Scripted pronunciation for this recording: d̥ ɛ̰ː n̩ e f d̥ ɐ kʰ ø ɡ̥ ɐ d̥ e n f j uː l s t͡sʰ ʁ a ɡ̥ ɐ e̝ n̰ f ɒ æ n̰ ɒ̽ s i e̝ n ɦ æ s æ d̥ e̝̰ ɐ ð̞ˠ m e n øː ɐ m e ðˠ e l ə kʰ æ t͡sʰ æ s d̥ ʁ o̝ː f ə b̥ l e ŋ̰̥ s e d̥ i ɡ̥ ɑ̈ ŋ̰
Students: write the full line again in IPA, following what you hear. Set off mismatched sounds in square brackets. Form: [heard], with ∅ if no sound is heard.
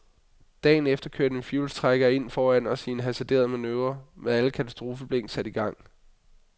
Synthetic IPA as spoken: d̥ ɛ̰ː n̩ e f d̥ ɐ kʰ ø [∅] ɐ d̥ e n f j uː l s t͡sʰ ʁ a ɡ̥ ɐ e̝ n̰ f [ɒː] æ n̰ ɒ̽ s i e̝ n ɦ æ s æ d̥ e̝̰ ɐ ð̞ˠ m [æ] n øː ɐ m e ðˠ [æ] l ə kʰ æ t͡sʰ æ s d̥ ʁ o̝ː f ə b̥ l e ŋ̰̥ s [æ] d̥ i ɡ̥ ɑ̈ ŋ̰